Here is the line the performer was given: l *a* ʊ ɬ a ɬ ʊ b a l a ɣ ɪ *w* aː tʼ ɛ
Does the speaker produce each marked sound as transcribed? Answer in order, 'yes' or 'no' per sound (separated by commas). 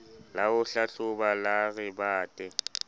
yes, no